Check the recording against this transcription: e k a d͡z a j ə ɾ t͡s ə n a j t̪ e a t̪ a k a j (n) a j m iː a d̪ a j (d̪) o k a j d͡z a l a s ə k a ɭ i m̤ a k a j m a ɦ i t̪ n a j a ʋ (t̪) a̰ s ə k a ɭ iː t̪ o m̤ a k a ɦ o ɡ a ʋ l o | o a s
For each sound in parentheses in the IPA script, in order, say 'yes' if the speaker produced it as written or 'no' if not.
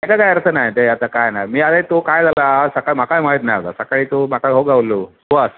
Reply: yes, no, yes

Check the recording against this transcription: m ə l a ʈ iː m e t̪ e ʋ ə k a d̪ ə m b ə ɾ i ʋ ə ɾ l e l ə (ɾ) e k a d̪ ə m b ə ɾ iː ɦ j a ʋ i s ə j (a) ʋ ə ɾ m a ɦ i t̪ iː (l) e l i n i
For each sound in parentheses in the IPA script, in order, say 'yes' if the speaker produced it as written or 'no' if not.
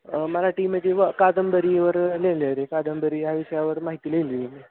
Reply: yes, yes, yes

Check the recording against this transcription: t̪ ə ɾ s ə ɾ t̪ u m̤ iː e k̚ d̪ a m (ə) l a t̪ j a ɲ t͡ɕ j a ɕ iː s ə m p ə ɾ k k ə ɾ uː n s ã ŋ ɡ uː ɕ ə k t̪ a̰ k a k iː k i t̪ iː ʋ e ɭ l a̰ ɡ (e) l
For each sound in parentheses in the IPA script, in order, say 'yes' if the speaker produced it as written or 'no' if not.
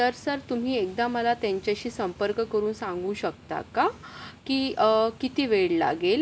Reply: yes, yes

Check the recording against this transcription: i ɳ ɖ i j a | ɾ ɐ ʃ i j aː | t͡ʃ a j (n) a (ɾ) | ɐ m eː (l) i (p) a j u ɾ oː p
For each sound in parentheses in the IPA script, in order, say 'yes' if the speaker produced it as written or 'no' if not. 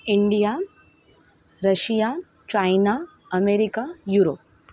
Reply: yes, no, no, no

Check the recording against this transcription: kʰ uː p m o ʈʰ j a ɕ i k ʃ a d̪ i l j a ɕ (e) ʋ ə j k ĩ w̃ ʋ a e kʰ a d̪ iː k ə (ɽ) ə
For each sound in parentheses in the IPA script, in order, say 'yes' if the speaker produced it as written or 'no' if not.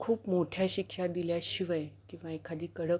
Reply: no, yes

